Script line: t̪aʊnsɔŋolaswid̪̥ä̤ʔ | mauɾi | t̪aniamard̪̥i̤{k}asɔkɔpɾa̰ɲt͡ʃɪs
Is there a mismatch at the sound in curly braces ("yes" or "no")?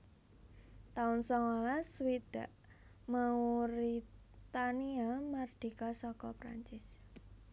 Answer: no